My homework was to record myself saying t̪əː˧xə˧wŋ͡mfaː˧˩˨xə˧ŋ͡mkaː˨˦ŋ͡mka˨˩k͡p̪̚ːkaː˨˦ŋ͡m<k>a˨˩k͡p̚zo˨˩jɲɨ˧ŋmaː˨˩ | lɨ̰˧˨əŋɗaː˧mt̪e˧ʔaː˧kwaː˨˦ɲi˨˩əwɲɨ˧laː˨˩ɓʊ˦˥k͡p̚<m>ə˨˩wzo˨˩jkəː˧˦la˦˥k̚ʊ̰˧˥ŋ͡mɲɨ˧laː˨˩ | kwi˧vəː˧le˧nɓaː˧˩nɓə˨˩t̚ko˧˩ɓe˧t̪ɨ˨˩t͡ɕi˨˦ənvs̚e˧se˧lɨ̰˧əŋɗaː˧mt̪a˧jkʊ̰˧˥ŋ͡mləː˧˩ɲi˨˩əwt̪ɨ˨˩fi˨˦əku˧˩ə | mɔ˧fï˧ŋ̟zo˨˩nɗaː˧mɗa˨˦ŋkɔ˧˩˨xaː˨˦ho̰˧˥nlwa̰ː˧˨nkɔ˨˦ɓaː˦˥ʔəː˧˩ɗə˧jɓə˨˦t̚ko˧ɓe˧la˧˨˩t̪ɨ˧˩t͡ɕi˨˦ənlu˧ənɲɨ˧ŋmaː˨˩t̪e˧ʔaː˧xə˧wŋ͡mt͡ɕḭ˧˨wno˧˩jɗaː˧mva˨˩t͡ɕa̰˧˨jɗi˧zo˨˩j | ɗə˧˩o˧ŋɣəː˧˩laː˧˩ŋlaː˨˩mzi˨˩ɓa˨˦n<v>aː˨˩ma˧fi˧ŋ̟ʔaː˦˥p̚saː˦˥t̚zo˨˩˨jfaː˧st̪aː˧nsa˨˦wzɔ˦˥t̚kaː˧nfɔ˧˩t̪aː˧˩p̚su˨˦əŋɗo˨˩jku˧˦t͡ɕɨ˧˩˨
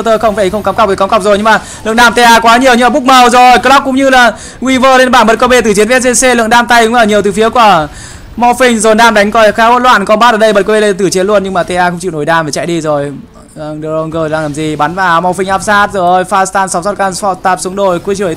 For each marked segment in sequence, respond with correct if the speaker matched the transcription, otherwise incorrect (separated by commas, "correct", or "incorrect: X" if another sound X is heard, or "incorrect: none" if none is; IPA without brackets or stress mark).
correct, correct, correct